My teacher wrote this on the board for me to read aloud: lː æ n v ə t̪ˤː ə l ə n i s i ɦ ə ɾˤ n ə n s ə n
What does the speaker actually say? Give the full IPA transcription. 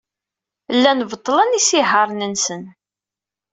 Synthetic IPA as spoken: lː æ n v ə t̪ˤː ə l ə n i s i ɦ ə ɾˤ n ə n s ə n